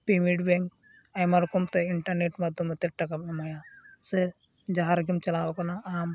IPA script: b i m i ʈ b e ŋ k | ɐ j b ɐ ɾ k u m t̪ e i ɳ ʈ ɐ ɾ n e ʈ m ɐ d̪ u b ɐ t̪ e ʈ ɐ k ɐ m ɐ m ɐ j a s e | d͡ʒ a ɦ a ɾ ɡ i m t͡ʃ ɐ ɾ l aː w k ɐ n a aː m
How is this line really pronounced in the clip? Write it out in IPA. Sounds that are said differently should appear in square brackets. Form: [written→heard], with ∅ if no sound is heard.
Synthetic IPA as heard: [b→p] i m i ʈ b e ŋ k | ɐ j [b→m] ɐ ɾ k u m t̪ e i ɳ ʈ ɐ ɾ n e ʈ m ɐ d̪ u [b→m] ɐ t̪ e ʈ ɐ k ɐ m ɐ m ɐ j a s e | d͡ʒ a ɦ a ɾ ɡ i m t͡ʃ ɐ [ɾ→∅] l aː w k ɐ n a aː m